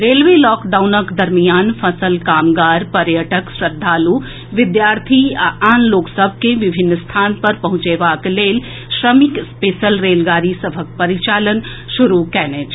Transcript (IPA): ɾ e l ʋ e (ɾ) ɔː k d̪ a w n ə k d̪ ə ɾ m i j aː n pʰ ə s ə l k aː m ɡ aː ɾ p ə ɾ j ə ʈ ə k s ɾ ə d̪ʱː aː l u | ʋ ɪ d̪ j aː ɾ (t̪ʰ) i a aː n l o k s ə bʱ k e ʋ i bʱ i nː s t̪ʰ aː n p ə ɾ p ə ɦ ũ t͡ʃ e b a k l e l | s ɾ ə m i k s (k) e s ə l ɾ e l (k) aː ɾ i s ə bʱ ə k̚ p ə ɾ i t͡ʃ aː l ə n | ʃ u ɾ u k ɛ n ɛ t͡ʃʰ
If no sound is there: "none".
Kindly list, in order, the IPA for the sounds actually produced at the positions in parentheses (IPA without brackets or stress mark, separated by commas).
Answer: l, t̪ʰ, p, ɡ